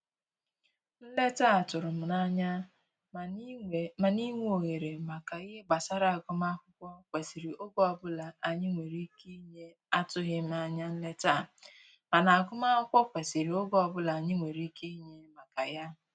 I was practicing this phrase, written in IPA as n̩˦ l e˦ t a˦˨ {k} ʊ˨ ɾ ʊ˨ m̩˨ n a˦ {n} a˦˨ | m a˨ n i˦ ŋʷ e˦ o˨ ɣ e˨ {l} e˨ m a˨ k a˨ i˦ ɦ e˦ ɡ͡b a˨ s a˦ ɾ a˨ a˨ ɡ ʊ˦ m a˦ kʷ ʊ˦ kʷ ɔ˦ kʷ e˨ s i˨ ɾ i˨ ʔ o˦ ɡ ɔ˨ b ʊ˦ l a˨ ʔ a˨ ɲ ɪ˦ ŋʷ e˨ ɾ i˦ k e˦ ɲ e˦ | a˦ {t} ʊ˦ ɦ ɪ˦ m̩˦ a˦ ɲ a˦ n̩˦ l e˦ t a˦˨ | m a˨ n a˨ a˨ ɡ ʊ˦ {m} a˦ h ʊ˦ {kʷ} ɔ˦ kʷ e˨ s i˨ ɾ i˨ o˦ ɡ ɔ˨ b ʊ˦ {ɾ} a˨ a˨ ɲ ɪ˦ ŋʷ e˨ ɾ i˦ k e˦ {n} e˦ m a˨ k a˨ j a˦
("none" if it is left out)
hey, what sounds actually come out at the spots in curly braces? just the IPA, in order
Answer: t, ɲ, ɾ, t, m, kʷ, l, ɲ

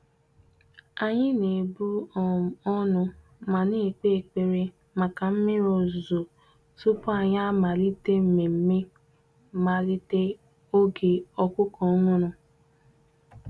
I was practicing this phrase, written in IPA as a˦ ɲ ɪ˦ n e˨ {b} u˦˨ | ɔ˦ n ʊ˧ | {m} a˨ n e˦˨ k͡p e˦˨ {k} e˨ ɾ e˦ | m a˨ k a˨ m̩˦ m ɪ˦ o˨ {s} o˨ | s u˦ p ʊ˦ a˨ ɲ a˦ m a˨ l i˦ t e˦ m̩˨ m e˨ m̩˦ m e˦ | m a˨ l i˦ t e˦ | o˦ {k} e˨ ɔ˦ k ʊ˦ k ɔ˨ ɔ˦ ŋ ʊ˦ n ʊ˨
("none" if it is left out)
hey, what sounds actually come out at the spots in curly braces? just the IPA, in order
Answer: b, m, k͡p, z, ɡ

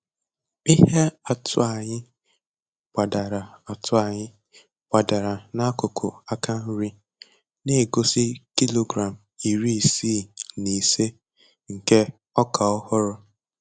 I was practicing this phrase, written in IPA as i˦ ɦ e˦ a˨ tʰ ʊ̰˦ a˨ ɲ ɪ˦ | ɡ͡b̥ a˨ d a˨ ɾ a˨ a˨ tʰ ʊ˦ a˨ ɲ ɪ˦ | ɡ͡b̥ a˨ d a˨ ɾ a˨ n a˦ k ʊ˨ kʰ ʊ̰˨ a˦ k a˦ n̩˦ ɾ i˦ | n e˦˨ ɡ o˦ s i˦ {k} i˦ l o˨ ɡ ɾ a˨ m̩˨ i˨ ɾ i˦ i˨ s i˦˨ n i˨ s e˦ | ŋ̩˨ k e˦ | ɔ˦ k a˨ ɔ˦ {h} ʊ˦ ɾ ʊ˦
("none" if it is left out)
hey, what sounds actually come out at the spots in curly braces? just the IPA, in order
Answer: k, h

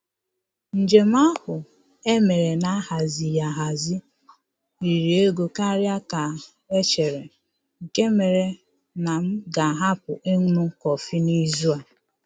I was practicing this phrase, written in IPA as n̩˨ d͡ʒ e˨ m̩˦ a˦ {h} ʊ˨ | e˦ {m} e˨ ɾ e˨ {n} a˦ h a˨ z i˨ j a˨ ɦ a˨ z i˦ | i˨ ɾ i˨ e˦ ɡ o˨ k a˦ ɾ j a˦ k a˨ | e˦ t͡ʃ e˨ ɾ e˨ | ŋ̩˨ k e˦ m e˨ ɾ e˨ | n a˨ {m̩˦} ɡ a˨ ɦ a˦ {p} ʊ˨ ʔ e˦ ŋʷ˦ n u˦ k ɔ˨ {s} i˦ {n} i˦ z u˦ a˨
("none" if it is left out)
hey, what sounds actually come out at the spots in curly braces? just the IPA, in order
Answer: h, m, n, m̩˦, p, f, n

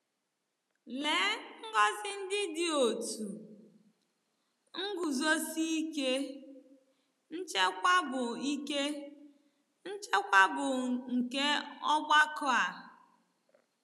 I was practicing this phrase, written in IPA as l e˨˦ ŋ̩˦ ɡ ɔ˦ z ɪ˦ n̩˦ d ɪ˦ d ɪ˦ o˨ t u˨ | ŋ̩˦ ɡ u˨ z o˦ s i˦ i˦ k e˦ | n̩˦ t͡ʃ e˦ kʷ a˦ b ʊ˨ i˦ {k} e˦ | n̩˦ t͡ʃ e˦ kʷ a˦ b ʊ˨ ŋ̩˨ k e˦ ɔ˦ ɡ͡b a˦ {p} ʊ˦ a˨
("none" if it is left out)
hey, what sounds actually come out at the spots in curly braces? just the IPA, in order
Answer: k, k

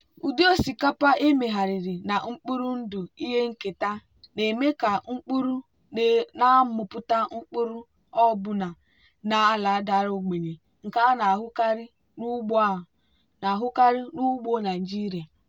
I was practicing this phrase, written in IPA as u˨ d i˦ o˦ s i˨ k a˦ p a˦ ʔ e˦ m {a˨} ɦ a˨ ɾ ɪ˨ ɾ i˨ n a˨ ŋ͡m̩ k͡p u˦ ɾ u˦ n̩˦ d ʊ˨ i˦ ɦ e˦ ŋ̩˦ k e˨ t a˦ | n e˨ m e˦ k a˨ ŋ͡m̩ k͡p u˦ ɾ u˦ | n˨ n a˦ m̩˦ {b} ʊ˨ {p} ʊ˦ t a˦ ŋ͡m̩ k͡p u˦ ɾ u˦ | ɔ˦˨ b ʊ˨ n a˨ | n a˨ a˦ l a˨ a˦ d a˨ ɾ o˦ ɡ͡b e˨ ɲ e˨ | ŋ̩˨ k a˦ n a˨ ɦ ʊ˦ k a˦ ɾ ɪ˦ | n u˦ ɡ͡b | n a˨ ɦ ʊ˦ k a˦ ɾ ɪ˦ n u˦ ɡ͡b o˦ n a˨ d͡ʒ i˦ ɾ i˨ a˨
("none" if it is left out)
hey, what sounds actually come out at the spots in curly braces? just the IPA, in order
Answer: e˨, m, p

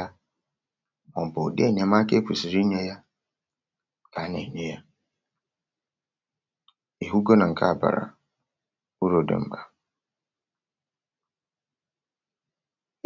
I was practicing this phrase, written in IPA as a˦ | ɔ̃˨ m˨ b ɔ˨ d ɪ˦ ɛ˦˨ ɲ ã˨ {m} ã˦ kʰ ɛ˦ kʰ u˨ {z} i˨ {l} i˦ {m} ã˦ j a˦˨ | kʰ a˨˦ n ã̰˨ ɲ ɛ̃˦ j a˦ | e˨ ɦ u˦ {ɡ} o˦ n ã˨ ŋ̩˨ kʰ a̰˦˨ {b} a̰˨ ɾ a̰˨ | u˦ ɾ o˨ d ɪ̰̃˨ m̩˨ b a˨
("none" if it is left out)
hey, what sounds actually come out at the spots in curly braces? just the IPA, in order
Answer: m, s, ɾ, ɲ, ɡ, b

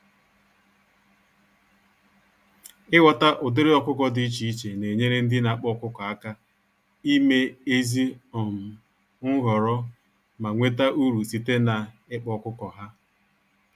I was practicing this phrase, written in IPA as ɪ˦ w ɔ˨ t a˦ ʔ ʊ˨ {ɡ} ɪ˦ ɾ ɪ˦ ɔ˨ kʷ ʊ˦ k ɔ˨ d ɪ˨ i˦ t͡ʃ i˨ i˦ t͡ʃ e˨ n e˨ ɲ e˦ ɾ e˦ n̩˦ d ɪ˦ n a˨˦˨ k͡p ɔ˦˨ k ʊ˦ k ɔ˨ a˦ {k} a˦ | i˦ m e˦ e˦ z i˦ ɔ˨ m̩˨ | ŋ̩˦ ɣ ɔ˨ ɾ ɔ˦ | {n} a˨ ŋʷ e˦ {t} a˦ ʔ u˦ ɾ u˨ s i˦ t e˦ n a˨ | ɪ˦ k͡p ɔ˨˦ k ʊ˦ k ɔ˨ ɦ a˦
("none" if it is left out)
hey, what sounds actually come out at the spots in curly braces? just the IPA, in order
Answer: d, k, m, t

